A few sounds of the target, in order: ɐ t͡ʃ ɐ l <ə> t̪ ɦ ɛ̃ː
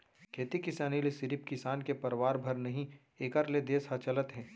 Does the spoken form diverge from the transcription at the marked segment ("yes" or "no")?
no